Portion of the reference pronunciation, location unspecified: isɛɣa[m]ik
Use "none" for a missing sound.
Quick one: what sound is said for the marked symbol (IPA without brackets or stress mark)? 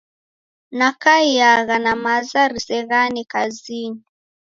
n